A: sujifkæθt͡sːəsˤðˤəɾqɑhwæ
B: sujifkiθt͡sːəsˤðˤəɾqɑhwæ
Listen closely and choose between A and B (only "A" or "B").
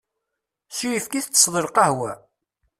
B